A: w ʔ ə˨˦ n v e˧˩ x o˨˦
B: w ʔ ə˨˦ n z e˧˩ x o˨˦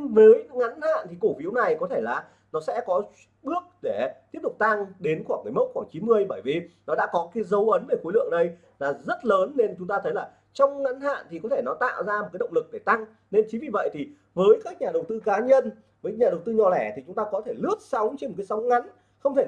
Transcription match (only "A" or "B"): A